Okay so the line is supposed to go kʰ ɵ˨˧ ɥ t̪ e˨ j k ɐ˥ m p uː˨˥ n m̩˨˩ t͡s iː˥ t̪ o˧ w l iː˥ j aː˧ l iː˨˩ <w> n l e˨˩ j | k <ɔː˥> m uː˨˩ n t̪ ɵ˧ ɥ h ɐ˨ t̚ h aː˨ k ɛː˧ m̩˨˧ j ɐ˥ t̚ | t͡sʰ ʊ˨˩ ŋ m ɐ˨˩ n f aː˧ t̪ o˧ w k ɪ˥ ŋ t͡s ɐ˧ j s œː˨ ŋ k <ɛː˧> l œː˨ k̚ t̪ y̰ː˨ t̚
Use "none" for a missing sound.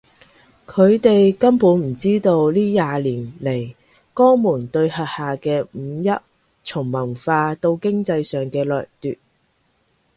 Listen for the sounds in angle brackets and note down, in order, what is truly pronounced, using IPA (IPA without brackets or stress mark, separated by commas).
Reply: none, ɔː˥, ɛː˧